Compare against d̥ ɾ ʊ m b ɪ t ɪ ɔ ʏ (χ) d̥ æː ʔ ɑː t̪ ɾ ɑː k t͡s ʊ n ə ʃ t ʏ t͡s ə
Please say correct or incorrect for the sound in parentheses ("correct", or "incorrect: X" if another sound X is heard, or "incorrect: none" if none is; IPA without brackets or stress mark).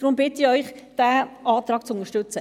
correct